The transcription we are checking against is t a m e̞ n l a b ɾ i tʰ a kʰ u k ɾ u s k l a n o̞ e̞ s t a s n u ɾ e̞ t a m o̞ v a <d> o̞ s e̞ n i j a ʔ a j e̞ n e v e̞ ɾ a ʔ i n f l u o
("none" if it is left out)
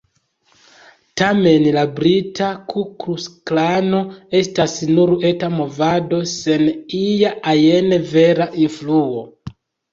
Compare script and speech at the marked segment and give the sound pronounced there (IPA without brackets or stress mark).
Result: d